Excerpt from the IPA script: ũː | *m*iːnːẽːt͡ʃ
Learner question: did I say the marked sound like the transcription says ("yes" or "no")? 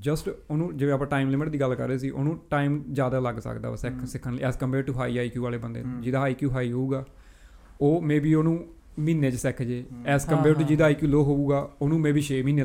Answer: yes